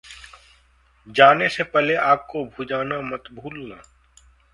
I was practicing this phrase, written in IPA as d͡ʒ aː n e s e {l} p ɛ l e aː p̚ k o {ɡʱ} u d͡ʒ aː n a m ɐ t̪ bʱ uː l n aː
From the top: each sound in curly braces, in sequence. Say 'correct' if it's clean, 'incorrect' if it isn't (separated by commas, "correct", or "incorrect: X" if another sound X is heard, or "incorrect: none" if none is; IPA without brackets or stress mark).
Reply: incorrect: none, incorrect: bʱ